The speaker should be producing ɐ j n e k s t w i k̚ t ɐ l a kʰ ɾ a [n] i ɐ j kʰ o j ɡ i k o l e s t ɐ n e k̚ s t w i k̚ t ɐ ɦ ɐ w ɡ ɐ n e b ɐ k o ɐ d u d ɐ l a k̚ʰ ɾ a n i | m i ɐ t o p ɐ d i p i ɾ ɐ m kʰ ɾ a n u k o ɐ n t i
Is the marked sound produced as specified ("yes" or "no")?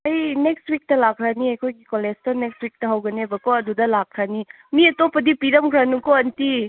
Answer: yes